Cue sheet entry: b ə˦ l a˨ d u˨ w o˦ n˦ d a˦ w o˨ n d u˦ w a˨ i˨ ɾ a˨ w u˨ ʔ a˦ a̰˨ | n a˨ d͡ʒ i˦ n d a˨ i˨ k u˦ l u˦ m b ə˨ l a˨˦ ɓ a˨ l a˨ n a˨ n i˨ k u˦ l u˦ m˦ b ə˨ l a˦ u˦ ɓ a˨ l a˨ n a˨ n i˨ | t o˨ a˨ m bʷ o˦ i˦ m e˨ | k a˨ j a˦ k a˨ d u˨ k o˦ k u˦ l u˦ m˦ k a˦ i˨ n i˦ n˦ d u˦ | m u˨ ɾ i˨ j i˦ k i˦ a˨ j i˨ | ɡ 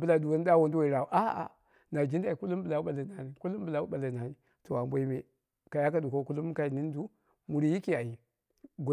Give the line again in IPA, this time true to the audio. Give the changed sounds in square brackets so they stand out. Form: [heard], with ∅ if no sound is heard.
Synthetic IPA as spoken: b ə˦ l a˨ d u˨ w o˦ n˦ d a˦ w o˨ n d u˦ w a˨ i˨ ɾ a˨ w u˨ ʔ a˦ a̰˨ | n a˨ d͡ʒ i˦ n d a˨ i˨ k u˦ l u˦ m b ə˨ l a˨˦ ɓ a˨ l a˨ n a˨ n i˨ k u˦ l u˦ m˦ b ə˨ l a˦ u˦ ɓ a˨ l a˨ n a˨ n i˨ | t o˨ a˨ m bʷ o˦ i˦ m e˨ | k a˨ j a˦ k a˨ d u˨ k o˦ k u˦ l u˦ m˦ k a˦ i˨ n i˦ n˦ d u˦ | m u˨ ɾ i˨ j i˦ k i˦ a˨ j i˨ | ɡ